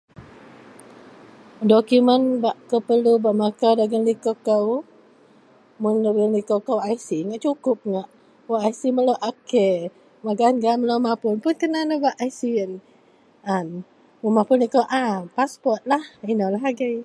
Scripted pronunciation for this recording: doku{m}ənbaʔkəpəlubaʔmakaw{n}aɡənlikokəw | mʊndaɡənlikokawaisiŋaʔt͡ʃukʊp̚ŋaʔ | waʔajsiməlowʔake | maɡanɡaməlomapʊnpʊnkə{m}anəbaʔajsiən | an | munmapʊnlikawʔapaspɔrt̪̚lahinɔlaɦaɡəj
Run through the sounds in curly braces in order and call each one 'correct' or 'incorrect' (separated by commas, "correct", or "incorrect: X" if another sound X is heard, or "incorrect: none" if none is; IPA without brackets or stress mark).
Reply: correct, incorrect: d, incorrect: n